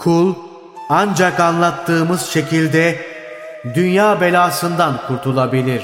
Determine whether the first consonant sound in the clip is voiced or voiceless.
voiceless